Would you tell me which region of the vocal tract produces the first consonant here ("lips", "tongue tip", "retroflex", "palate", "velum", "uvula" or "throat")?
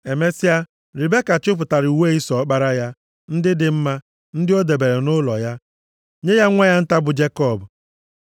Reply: lips